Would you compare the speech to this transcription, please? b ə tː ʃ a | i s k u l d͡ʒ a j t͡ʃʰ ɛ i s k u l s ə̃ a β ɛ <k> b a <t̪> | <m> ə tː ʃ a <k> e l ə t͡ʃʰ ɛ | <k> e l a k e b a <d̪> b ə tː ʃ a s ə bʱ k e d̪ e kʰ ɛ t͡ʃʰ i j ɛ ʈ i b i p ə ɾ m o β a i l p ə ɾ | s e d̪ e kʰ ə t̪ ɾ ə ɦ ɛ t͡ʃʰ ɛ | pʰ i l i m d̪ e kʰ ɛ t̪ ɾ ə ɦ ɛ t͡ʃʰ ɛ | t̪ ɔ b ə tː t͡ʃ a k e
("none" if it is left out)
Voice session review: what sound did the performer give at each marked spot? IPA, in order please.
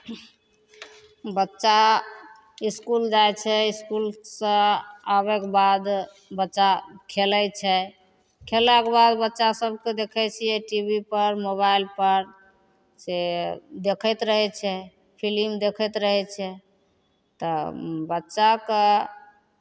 k, d̪, b, kʰ, kʰ, d̪

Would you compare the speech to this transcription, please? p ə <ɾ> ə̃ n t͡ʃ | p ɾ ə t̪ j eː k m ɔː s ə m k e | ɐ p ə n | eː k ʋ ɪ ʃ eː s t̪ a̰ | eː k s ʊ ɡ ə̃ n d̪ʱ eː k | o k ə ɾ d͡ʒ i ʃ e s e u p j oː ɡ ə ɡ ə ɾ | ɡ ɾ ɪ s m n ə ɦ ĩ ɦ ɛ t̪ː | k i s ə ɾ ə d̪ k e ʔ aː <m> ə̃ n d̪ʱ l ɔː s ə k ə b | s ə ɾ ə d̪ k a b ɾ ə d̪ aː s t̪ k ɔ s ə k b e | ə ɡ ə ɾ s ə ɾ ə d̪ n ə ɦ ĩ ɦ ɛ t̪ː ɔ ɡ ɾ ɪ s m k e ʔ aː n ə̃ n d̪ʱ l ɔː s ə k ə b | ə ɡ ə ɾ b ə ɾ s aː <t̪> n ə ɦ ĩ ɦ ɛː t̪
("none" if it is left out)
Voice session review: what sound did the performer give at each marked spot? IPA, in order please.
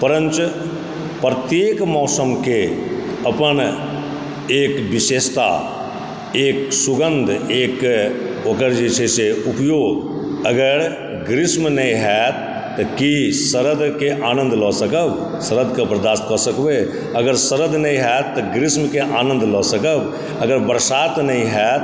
ɾ, n, t̪

